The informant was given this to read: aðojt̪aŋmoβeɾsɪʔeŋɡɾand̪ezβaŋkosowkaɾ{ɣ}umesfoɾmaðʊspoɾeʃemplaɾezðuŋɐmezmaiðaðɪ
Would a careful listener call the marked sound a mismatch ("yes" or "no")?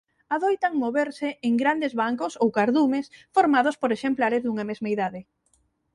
yes